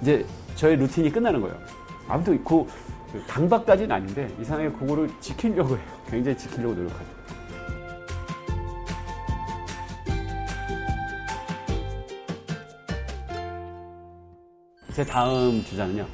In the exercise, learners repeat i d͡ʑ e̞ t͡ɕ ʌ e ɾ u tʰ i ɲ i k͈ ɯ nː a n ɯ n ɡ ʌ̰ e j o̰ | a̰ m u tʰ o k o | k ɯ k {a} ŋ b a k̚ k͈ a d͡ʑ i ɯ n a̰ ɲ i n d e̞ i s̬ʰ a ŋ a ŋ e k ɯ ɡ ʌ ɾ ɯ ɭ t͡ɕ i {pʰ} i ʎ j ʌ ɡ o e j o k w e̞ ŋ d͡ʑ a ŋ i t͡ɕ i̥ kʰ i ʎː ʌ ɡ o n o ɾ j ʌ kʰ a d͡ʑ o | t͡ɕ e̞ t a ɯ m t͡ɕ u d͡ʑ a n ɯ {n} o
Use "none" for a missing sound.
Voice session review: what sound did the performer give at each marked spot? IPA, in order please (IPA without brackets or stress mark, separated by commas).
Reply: a, kʰ, ɲ